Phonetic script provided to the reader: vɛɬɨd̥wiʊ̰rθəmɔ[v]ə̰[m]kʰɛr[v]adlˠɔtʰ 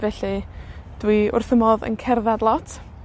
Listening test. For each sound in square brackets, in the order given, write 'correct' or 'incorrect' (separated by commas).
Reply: incorrect, incorrect, incorrect